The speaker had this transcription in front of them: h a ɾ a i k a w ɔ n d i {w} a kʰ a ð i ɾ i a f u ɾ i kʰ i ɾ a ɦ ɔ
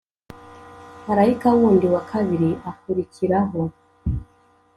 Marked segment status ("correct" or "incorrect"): correct